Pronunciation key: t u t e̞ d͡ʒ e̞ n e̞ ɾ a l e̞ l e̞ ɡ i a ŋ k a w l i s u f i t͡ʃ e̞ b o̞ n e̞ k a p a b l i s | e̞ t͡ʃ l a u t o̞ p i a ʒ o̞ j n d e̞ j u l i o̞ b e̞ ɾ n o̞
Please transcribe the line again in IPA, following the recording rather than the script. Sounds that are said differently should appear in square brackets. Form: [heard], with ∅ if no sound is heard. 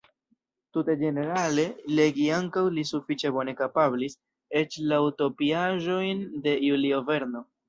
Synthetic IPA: t u t e̞ d͡ʒ e̞ n e̞ ɾ a l e̞ l e̞ ɡ i a ŋ k a w l i s u f i t͡ʃ e̞ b o̞ n e̞ k a p a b l i s | e̞ t͡ʃ l a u t o̞ p i a ʒ o̞ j n d e̞ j u l i o̞ [v] e̞ ɾ n o̞